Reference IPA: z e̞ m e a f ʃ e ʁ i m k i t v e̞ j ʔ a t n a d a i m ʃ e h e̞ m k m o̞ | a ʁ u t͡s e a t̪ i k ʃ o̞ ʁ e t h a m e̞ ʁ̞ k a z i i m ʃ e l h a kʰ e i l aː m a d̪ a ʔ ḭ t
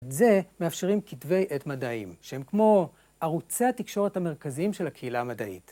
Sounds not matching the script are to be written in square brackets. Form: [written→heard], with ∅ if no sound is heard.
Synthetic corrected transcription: z e̞ m e a f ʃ e ʁ i m k i t v e̞ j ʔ [a→e] t [n→m] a d a i m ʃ e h e̞ m k m o̞ | a ʁ u t͡s e a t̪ i k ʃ o̞ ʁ e t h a m e̞ ʁ̞ k a z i i m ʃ e l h a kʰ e i l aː m a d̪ a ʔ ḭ t